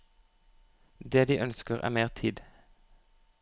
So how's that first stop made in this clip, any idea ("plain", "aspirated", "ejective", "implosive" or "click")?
plain